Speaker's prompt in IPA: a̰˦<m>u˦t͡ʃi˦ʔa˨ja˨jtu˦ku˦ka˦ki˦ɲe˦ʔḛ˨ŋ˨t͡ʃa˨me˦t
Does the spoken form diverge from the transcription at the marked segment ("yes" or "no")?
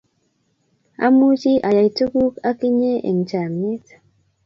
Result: no